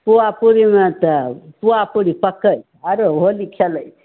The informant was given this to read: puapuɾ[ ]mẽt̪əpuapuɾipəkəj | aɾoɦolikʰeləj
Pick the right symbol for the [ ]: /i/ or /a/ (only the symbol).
i